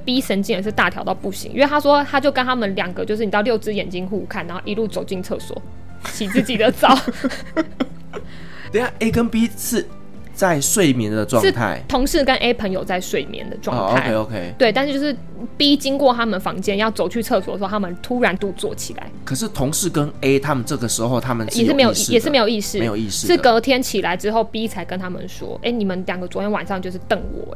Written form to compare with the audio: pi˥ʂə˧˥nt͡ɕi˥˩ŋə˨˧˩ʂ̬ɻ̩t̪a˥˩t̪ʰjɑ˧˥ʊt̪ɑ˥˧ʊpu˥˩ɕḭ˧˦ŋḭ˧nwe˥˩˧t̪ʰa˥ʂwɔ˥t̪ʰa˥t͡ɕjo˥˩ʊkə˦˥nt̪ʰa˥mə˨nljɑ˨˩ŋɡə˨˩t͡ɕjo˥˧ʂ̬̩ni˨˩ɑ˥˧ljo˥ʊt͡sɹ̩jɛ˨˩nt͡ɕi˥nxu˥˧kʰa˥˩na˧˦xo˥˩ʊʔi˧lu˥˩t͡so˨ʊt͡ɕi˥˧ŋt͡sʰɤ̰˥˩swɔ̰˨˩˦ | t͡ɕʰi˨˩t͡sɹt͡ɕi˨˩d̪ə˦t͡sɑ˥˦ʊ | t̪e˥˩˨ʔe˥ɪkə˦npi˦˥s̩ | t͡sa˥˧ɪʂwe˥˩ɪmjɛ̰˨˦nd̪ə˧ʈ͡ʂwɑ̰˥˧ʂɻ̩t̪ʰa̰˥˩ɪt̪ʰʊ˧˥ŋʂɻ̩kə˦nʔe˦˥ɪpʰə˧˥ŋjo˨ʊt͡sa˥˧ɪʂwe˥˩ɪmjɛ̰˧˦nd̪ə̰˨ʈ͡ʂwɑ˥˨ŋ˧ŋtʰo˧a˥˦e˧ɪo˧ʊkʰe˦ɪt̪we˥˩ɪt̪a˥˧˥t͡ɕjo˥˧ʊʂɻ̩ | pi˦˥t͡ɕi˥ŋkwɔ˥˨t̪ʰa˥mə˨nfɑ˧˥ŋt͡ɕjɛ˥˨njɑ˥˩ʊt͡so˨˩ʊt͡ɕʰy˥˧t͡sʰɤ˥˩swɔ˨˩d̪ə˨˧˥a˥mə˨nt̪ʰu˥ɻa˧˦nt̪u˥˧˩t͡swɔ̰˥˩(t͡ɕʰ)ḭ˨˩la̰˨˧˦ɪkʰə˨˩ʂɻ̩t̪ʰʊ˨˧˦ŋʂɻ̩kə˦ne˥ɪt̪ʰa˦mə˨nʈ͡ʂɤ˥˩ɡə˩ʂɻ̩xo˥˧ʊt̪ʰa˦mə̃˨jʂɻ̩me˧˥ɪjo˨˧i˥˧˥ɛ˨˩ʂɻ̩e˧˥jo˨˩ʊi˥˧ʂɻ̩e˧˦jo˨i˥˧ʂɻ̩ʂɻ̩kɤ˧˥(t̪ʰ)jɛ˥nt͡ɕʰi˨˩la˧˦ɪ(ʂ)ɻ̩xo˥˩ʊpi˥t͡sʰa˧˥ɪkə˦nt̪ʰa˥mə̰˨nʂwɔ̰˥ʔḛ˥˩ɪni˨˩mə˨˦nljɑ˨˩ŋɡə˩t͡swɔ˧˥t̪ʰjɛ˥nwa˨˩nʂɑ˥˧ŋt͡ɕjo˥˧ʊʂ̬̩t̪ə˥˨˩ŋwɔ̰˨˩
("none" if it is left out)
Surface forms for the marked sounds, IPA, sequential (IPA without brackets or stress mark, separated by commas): t͡ɕʰ, t̪ʰ, ʈ͡ʂ